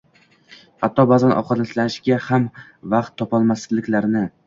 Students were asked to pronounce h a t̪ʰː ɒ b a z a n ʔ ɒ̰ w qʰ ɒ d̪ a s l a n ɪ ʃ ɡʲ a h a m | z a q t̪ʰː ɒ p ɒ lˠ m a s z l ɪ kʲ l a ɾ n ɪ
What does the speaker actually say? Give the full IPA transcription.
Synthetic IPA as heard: h a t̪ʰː ɒ b a z a n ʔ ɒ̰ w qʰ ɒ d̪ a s l a n ɪ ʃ ɡʲ a h a m | v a q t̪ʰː ɒ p ɒ lˠ m a s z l ɪ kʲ l a ɾ n ɪ